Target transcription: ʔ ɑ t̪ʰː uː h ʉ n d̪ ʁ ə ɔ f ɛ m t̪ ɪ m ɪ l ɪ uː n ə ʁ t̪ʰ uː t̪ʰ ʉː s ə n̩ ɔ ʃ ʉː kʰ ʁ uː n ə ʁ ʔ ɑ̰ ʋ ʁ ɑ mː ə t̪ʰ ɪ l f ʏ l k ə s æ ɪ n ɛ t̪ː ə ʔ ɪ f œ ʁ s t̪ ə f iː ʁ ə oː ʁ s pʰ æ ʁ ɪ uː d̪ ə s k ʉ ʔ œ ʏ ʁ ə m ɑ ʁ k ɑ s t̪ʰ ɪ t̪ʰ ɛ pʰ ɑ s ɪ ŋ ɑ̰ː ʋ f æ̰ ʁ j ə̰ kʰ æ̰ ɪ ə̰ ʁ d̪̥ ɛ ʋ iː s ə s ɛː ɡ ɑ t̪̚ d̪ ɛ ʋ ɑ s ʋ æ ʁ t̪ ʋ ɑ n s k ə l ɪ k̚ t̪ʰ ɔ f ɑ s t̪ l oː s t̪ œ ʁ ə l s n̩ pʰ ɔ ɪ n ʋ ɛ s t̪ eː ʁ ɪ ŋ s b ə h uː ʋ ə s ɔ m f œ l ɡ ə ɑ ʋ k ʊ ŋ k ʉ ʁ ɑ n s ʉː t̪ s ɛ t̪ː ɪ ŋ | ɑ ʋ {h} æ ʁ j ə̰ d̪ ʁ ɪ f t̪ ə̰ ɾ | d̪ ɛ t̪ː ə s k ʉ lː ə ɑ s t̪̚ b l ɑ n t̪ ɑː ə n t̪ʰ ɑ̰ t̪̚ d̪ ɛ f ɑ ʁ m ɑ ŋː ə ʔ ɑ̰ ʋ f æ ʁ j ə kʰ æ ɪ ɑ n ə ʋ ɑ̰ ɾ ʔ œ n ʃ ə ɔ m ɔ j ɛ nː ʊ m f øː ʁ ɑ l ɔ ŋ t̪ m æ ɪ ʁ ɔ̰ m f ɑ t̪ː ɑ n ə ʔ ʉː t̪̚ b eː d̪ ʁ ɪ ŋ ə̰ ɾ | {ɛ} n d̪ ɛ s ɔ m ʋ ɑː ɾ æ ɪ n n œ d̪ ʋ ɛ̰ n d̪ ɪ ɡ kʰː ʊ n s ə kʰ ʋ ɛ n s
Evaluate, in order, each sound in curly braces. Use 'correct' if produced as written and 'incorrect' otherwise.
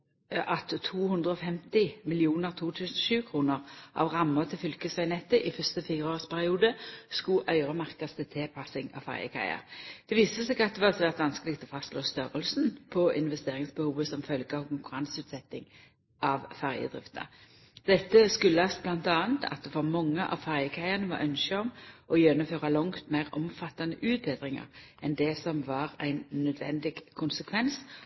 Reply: incorrect, correct

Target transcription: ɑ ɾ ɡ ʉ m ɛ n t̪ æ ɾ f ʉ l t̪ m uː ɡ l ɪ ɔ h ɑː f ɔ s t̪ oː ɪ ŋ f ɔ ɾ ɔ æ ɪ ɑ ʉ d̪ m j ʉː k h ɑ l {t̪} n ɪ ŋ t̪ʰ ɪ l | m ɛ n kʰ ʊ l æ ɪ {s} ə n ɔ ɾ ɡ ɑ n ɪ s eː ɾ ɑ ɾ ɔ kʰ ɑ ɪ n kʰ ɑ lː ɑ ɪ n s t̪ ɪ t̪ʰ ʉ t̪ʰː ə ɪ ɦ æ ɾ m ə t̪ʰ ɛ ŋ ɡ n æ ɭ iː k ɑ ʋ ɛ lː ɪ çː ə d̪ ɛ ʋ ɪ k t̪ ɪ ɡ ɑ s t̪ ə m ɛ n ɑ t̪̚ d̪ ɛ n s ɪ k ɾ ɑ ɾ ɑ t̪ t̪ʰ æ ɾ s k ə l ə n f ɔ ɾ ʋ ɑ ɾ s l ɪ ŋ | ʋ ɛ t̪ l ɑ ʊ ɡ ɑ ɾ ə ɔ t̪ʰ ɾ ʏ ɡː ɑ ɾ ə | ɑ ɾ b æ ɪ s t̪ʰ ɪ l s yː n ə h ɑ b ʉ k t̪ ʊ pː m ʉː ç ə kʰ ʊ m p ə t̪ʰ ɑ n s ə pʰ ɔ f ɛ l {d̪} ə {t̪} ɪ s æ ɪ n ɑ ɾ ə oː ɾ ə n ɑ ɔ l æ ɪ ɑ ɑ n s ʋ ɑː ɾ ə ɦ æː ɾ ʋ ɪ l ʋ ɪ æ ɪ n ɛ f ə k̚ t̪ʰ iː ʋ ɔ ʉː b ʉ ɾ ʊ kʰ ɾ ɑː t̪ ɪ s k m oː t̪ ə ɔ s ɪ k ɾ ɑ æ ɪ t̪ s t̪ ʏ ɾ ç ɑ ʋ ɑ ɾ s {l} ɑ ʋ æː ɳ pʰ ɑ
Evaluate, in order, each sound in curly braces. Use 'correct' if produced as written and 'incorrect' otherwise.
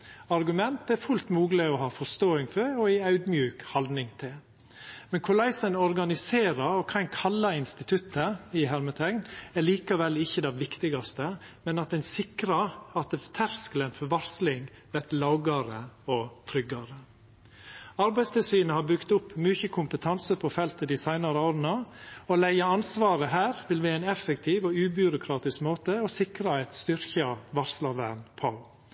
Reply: incorrect, correct, incorrect, incorrect, correct

